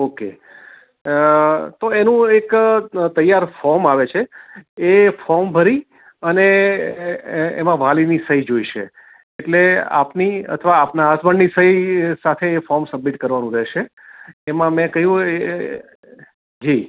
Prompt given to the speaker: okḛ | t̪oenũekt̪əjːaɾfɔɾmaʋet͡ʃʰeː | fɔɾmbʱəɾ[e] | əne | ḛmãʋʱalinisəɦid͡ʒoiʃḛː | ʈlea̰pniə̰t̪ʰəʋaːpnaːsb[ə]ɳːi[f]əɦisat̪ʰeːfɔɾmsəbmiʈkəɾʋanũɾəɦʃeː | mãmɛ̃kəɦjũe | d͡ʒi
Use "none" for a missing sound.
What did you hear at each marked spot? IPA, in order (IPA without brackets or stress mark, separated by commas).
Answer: i, ə, s